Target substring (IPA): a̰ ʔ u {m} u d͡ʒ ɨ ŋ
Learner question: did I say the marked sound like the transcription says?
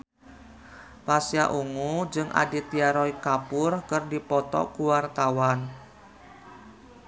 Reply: no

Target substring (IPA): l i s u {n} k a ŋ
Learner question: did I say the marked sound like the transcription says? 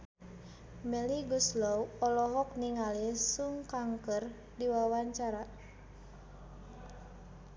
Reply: no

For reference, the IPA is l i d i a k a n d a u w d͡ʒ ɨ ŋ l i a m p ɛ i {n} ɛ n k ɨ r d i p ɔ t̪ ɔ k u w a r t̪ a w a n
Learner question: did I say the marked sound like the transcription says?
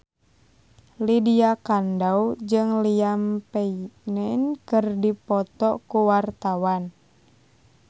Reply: yes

